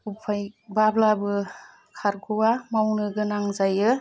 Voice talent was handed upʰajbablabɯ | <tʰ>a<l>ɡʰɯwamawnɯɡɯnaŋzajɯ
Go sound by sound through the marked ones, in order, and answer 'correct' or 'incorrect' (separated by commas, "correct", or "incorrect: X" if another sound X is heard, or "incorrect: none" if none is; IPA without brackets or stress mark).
incorrect: kʰ, incorrect: ɾ